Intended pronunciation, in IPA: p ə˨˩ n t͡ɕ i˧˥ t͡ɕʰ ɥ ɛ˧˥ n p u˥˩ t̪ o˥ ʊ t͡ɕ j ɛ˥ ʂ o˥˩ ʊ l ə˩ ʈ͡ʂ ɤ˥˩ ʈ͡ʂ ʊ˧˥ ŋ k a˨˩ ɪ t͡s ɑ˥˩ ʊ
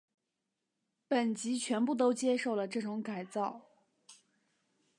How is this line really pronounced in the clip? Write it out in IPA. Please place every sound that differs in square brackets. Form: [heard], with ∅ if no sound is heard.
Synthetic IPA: p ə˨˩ n t͡ɕ i˧˥ t͡ɕʰ ɥ ɛ˧˥ n p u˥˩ t̪ o˥ ʊ t͡ɕ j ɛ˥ ʂ o˥˩ ʊ l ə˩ ʈ͡ʂ ɤ˥˩ ʈ͡ʂ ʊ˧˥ ŋ k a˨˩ ɪ t͡s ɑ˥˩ ʊ